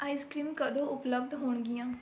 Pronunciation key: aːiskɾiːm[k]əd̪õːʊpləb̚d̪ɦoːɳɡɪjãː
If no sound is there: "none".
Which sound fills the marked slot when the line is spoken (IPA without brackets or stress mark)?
k